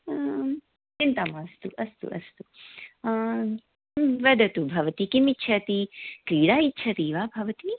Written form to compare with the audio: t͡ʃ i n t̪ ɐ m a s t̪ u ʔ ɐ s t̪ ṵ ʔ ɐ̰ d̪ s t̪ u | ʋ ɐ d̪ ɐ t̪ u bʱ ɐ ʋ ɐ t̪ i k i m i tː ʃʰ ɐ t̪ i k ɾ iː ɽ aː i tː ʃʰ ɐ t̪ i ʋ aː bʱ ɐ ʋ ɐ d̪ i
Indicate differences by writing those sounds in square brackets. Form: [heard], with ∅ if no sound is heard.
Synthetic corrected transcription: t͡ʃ i n t̪ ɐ m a s t̪ u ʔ ɐ s t̪ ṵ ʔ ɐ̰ [∅] s t̪ u | ʋ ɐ d̪ ɐ t̪ u bʱ ɐ ʋ ɐ t̪ i k i m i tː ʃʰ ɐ t̪ i k ɾ iː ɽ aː i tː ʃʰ ɐ t̪ i ʋ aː bʱ ɐ ʋ ɐ [t̪] i